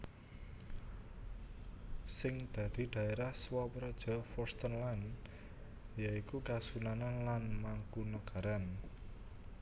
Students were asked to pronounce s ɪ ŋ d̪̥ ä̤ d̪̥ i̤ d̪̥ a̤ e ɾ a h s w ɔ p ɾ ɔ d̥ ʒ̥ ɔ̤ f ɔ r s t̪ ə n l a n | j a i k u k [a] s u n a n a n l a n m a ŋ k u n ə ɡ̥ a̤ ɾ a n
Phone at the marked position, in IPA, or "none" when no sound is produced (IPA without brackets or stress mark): a